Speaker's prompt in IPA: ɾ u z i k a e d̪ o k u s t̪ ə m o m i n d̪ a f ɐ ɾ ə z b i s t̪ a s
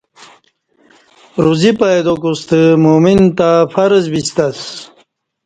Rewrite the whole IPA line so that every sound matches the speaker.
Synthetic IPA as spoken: ɾ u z i p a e d̪ o k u s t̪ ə m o m i n t̪ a f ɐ ɾ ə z b i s t̪ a s